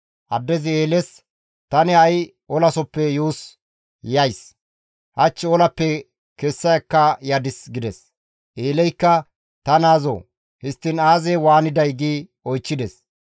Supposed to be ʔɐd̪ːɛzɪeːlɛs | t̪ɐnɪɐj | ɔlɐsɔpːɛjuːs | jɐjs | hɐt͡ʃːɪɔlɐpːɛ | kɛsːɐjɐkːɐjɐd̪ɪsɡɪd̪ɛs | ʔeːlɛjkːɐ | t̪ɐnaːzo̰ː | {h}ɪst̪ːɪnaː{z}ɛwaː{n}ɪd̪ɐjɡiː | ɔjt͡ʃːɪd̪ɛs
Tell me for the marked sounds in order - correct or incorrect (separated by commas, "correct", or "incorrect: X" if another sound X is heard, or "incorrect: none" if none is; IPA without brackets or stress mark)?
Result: correct, correct, correct